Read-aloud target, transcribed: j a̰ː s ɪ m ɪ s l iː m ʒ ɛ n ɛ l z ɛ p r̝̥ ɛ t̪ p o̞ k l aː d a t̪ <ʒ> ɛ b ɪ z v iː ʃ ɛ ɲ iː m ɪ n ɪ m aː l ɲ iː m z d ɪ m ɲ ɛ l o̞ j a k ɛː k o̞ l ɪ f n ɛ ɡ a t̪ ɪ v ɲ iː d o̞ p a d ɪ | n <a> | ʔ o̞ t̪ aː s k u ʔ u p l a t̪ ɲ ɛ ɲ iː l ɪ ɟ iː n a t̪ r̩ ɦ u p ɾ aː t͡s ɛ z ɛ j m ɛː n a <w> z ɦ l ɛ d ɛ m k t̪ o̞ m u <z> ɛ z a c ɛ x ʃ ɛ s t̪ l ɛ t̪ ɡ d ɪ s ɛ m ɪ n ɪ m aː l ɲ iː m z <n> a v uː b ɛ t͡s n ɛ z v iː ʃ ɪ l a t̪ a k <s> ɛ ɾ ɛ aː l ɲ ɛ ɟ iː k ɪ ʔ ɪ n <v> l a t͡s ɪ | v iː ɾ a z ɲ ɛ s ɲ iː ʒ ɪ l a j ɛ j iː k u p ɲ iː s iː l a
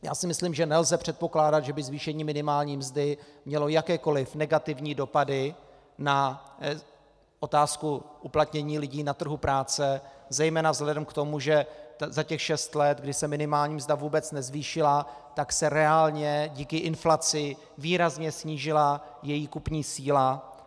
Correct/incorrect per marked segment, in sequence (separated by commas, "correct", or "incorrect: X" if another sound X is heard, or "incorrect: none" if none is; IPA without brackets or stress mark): correct, correct, incorrect: v, incorrect: ʒ, incorrect: d, correct, incorrect: f